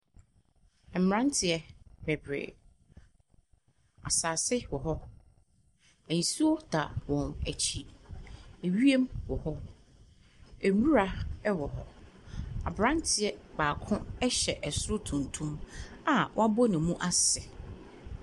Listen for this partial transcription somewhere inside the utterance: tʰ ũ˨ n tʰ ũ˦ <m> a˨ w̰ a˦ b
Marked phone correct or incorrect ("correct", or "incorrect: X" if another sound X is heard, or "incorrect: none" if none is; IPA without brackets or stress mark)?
correct